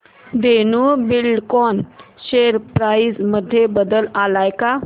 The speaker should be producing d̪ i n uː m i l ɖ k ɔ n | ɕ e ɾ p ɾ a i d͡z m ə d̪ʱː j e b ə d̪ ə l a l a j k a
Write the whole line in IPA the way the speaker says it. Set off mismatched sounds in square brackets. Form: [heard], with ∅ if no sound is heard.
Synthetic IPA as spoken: d̪ [e] n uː [b] i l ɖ k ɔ n | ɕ e ɾ p ɾ a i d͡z m ə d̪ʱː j e b ə d̪ ə l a l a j k a